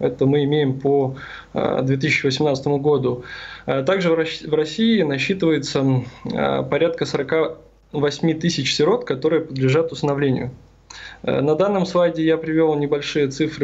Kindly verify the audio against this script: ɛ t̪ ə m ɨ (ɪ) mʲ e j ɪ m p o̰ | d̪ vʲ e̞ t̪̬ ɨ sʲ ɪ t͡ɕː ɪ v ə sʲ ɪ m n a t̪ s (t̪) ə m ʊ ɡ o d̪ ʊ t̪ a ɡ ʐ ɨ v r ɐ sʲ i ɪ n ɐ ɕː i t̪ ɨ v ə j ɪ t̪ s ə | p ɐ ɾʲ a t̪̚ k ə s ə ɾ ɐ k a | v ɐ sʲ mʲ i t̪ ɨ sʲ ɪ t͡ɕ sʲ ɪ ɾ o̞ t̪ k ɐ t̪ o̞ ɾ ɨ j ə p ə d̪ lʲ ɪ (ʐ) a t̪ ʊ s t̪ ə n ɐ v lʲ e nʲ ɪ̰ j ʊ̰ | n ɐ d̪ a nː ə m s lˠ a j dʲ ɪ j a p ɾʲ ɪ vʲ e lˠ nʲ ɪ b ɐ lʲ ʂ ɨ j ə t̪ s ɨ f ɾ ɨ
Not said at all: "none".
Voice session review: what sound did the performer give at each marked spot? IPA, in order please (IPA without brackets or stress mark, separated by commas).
ɪ, t̪, ʐ